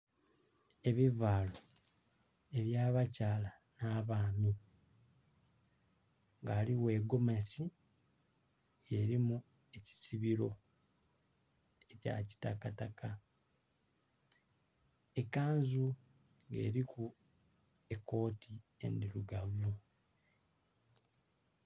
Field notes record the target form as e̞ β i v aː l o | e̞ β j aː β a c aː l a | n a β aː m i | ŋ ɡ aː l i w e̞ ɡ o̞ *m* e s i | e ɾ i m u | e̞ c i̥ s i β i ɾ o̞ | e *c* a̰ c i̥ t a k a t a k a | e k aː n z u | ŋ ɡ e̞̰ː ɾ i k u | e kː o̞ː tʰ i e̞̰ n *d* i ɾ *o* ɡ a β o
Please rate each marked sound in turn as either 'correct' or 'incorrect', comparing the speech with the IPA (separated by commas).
correct, correct, correct, incorrect